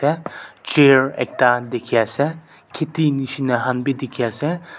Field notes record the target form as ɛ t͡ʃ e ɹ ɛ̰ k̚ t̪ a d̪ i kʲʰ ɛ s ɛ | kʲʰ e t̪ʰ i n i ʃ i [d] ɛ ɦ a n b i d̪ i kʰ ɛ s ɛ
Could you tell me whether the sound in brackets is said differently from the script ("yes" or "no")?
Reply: yes